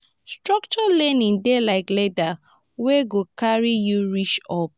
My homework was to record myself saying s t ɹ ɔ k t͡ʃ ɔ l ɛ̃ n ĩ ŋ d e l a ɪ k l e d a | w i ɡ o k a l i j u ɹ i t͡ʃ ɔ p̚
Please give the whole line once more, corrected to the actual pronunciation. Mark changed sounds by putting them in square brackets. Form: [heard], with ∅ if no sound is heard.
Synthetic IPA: s t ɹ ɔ k t͡ʃ ɔ l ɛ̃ n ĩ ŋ d e l a ɪ k l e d a | w [e] ɡ o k a [ɹ] i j u ɹ i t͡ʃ ɔ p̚

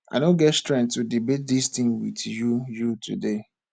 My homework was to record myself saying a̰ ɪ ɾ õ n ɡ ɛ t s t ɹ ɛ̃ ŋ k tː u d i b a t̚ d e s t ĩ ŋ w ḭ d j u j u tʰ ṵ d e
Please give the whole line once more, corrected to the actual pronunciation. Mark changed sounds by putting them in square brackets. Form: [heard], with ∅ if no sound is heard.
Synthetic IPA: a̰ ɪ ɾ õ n ɡ ɛ t s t ɹ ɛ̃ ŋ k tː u d i b [e] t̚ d [i] s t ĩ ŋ w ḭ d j u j u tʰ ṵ d e

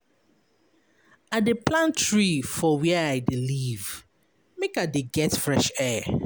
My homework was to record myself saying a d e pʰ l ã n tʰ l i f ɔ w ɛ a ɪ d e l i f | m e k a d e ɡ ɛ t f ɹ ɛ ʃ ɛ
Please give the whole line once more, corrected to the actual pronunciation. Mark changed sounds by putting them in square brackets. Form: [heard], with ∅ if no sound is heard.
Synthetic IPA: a d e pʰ l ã n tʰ [ɹ] i f ɔ w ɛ a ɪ d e l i [v] | m e k a d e ɡ ɛ t f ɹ ɛ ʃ ɛ

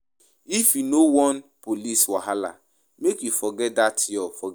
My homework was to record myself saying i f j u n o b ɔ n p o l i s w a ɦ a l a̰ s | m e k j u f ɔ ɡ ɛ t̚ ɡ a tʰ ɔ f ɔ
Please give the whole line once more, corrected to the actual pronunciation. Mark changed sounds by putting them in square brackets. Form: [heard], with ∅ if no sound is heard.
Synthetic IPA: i f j u n o [w] ɔ n p o l i s w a ɦ a l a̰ [∅] | m e k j u f ɔ ɡ ɛ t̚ [d] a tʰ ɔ f ɔ

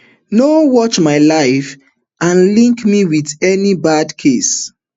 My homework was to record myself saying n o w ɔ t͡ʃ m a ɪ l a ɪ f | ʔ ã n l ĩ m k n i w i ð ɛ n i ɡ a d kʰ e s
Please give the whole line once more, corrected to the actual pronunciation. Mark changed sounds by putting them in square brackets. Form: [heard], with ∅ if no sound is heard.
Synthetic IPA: n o w ɔ t͡ʃ m a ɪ l a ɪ f | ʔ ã n l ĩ [ŋ] k [m] i w i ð ɛ n i [b] a d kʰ e s

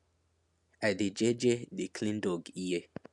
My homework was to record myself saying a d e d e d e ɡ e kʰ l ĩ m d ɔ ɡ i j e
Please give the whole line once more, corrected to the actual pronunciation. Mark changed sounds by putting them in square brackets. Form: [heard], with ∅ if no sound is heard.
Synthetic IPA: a d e [d͡ʒ] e [d͡ʒ] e [d] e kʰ l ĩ [n] d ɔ ɡ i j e

